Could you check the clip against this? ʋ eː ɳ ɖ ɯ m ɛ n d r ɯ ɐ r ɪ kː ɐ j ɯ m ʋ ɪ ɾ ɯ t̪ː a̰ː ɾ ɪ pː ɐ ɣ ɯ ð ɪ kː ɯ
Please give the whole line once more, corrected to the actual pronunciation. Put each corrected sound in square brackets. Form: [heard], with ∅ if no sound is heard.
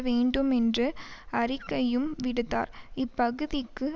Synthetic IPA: ʋ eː ɳ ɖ ɯ m ɛ n d r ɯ ɐ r ɪ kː ɐ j ɯ m ʋ ɪ [ɽ] ɯ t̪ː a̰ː ɾ ɪ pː ɐ ɣ ɯ ð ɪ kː ɯ